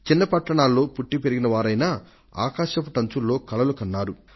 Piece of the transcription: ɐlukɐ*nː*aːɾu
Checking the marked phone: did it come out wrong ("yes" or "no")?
no